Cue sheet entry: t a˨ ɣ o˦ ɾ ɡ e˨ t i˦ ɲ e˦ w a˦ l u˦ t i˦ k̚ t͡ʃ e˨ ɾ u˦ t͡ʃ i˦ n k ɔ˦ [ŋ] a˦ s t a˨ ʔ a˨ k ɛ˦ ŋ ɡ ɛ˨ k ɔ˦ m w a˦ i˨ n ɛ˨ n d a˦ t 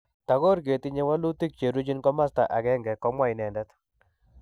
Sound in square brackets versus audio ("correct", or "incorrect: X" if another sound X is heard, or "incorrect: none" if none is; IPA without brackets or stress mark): incorrect: m